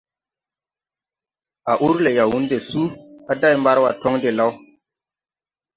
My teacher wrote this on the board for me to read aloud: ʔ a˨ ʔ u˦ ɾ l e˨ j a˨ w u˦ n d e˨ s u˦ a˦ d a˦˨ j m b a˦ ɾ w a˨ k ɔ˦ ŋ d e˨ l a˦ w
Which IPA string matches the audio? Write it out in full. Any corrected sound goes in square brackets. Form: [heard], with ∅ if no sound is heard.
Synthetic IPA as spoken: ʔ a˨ ʔ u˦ ɾ l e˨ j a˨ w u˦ n d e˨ s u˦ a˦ d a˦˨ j m b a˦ ɾ w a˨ [t] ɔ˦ ŋ d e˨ l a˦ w